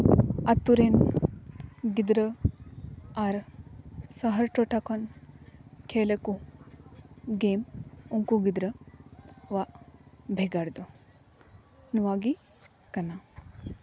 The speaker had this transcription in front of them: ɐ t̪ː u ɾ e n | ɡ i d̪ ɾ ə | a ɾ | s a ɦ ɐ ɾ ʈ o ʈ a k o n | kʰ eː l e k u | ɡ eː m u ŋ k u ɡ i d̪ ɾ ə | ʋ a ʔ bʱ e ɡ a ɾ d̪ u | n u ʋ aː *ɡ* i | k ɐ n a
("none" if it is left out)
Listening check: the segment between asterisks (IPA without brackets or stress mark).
ɡ